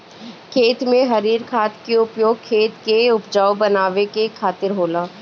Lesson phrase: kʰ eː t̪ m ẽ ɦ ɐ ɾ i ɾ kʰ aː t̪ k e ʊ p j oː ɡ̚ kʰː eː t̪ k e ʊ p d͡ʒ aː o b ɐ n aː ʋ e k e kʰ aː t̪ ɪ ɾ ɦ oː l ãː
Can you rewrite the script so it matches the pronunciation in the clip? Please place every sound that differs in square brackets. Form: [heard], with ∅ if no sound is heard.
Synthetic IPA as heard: kʰ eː t̪ m ẽ ɦ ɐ ɾ [iː] ɾ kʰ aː t̪ k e ʊ p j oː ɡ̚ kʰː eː t̪ k e ʊ p d͡ʒ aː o b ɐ n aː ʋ e k e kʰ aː t̪ ɪ ɾ ɦ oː l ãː